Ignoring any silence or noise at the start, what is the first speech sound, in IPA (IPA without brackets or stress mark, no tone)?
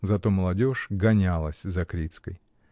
z